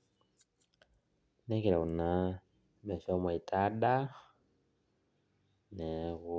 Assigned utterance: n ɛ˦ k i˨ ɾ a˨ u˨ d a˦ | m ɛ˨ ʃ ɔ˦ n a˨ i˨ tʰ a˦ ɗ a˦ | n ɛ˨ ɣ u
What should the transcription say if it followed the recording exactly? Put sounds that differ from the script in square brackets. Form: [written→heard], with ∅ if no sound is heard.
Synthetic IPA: n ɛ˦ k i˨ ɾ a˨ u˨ [d→n] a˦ | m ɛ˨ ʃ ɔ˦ [n→m] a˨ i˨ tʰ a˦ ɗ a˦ | n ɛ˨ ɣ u